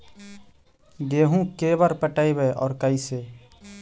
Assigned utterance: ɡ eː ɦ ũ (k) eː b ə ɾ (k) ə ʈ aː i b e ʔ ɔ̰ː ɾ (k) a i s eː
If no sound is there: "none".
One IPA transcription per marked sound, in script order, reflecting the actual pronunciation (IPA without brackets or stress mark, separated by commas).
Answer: k, p, k